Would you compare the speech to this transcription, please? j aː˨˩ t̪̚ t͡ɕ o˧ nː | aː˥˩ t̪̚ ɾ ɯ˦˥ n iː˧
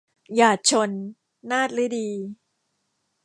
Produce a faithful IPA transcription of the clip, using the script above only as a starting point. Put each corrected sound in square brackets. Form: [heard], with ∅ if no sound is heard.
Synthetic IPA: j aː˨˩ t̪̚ [t͡ɕʰ] o˧ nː | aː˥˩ t̪̚ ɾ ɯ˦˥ [d] iː˧